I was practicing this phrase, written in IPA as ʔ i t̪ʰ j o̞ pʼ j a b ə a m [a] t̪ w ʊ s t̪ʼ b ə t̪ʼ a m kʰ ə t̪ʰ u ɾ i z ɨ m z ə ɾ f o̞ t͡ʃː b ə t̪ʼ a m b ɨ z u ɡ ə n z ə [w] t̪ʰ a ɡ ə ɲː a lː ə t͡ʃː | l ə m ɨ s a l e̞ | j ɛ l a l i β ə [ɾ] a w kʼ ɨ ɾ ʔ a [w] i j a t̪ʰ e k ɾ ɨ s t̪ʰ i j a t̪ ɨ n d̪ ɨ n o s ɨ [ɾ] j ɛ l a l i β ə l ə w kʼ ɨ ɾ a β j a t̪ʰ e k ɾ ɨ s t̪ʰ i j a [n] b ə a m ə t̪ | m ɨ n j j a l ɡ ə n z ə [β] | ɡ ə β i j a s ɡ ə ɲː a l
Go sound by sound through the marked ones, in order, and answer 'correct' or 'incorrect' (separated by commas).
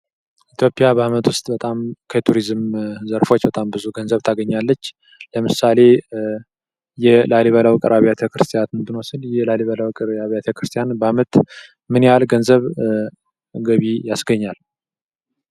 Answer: incorrect, incorrect, incorrect, incorrect, incorrect, correct, correct